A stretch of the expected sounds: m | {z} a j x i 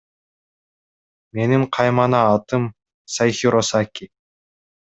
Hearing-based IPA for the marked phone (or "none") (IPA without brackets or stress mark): s